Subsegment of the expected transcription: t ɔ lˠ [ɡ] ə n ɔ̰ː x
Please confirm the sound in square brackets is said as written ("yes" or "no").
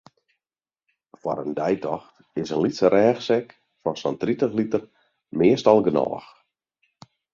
yes